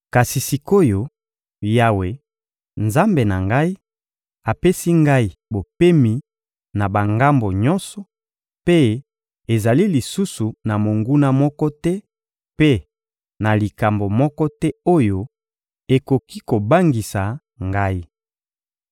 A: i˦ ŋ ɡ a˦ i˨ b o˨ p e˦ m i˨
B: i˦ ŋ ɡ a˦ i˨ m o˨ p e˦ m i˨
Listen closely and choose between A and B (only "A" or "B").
A